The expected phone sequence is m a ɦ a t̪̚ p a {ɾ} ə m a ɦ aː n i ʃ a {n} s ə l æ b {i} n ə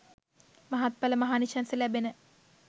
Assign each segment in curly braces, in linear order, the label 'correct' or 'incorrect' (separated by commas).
incorrect, correct, incorrect